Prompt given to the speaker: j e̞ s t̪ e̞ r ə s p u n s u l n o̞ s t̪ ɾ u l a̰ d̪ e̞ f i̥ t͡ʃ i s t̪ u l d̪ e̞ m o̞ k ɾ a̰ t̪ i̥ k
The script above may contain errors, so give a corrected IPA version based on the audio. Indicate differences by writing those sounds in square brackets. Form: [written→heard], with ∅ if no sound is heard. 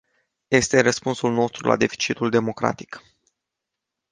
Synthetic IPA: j e̞ s t̪ e̞ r ə s p u n s u l n o̞ s t̪ ɾ u l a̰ d̪ e̞ f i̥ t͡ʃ i [s→∅] t̪ u l d̪ e̞ m o̞ k ɾ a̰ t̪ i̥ k